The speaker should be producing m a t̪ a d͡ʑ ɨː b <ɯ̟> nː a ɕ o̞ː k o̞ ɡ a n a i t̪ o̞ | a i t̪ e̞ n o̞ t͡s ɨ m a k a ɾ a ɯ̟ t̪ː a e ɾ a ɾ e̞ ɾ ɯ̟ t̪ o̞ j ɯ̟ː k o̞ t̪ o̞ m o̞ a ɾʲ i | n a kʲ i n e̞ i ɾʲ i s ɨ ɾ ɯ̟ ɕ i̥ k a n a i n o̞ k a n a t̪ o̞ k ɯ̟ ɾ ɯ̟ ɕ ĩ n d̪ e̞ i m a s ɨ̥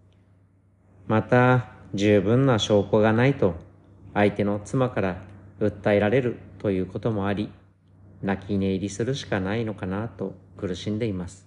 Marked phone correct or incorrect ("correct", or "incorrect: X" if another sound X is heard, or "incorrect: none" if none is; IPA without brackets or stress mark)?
incorrect: ɯ̟̃